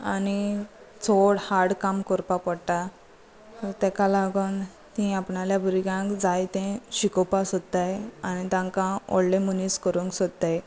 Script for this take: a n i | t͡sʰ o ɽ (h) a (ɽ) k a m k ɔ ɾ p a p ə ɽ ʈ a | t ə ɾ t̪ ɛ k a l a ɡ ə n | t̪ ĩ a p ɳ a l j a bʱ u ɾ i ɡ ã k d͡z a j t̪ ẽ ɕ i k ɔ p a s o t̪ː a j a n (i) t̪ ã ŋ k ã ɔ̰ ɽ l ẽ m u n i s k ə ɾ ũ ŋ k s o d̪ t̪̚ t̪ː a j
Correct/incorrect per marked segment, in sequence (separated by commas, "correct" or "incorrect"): correct, correct, correct